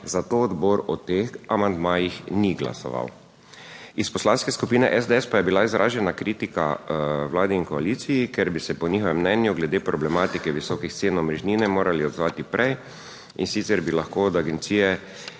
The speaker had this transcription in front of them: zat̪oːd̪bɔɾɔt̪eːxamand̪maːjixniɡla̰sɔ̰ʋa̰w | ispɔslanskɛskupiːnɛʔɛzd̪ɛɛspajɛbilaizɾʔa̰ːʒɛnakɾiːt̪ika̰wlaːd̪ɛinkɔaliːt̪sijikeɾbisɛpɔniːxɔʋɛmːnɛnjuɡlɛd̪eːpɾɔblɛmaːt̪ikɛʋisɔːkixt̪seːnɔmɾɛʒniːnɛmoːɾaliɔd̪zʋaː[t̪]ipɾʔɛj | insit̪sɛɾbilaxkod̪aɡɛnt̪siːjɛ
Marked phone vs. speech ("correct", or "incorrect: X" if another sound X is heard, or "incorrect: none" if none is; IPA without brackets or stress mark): correct